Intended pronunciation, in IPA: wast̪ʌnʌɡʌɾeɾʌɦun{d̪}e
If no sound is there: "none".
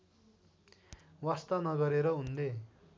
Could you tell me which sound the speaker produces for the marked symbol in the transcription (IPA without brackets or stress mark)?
d̪